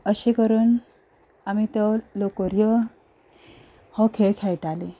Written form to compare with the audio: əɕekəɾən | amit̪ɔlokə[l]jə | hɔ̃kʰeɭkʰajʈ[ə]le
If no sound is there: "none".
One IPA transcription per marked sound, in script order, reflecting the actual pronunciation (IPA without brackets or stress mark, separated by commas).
ɾ, a